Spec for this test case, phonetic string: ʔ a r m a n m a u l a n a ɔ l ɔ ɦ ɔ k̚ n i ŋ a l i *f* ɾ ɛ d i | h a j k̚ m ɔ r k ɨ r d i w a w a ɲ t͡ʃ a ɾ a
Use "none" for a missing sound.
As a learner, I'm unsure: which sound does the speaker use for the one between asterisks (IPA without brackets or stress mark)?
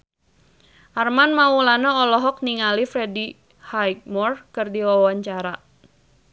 f